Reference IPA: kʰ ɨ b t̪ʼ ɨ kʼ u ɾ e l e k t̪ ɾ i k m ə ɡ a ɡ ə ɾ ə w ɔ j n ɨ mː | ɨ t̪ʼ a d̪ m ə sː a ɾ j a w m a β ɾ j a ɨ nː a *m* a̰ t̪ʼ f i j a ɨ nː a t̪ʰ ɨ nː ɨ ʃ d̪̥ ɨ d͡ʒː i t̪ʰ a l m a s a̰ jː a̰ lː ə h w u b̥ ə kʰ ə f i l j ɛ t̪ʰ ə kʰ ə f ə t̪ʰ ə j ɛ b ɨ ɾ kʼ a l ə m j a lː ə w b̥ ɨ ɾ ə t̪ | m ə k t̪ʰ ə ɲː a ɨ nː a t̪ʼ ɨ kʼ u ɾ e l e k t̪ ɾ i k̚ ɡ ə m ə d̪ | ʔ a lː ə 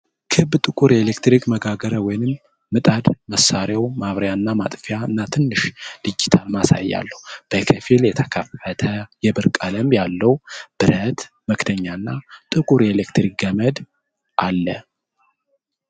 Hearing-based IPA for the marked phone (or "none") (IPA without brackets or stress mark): m